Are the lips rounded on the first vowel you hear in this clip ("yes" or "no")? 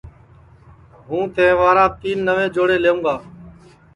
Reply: yes